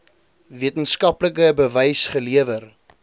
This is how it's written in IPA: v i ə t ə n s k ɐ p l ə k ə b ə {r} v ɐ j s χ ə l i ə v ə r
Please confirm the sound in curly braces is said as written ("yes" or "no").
no